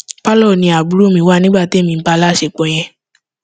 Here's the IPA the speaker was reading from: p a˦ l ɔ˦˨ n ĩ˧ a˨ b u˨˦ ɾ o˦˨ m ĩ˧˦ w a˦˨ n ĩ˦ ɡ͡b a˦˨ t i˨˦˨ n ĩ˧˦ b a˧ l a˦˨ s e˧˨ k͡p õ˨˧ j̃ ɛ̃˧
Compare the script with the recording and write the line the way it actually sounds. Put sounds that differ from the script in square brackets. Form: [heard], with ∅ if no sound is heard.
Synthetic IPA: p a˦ l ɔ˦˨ n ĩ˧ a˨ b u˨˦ ɾ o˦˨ m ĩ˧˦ w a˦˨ n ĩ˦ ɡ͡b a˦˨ t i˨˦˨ [m] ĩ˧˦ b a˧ l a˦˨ [ʃ] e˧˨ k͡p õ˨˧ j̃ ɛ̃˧